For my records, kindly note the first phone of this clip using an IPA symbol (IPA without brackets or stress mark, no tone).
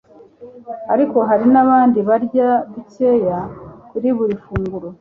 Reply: a